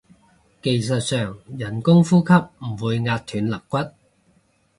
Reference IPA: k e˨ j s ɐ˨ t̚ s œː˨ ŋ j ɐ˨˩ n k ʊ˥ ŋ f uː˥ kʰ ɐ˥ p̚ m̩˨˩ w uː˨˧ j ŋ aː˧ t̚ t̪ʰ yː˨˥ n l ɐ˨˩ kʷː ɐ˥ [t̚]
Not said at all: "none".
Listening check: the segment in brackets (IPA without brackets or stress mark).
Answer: t̚